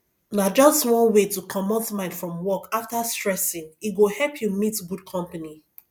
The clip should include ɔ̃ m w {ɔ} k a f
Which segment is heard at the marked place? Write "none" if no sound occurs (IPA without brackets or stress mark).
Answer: ɔ